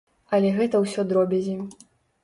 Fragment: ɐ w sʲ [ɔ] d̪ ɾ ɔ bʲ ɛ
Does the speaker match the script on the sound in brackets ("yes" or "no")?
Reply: yes